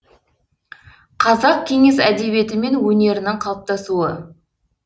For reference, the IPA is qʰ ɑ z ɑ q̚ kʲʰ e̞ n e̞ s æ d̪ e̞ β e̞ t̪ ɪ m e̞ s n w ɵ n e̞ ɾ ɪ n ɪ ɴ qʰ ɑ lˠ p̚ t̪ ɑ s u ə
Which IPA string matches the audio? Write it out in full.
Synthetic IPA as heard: qʰ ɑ z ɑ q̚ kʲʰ e̞ ŋ e̞ s æ d̪ e̞ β e̞ t̪ ɪ m e̞ n w ɵ n e̞ ɾ ɪ n ɪ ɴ qʰ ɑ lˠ p̚ t̪ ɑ s u ə